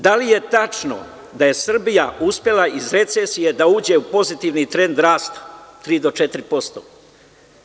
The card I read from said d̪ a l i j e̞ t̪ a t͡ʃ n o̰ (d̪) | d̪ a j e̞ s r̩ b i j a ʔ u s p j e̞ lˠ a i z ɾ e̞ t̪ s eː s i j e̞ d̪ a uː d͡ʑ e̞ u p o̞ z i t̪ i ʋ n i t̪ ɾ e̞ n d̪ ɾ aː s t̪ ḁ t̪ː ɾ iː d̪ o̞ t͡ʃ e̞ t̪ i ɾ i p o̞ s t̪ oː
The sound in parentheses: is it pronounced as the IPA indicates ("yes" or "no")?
no